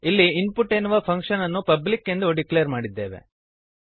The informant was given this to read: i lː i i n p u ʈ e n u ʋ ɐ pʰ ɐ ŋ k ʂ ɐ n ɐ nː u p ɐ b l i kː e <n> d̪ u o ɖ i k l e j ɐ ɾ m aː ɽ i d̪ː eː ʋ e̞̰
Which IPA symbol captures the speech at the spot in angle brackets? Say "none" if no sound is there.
n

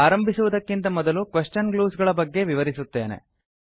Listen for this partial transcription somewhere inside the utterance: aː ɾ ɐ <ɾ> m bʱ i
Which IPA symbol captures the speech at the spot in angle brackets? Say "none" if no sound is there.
none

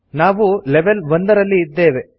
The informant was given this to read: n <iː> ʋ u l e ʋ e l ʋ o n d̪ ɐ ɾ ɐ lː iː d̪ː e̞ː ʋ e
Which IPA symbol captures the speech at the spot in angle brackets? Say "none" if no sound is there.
aː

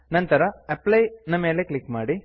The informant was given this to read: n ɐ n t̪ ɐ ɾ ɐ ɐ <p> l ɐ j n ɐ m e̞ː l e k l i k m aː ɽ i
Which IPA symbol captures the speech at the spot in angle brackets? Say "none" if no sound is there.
p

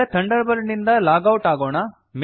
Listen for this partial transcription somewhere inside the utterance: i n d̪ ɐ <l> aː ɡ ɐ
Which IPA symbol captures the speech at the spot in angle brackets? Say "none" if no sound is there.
l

